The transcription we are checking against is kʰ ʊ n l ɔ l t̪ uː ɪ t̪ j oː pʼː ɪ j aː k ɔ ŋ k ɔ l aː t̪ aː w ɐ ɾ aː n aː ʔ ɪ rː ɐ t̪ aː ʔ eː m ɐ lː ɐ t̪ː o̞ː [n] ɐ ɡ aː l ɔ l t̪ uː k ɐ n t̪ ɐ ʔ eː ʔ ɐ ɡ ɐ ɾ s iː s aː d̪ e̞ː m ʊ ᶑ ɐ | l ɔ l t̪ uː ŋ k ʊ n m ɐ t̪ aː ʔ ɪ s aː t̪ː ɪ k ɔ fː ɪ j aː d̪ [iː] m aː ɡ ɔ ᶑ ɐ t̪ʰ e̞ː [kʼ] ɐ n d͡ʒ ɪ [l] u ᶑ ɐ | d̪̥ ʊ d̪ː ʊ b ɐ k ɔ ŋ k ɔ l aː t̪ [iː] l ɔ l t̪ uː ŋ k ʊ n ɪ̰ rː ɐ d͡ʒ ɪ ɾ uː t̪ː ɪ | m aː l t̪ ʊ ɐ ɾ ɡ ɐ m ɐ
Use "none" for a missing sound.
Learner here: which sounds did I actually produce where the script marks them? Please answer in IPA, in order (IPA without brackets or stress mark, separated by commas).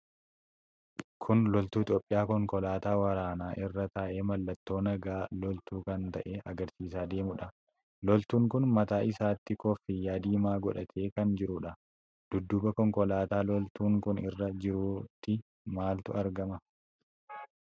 n, iː, k, ɾ, aː